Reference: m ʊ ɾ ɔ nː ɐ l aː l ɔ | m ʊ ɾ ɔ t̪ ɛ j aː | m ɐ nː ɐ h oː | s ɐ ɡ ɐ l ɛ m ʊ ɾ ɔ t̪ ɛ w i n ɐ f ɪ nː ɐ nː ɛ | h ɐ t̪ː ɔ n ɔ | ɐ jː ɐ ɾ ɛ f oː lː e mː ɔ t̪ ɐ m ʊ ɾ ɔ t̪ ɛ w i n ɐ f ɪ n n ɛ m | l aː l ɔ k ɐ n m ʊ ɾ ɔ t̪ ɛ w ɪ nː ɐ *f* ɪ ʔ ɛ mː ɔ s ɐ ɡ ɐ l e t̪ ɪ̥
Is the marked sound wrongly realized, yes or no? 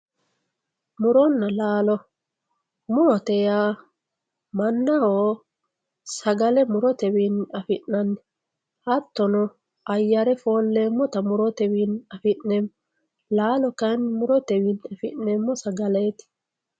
no